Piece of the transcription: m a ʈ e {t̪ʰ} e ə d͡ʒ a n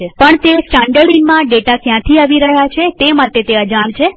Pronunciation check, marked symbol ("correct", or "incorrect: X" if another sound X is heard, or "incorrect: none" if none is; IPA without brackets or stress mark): incorrect: t̪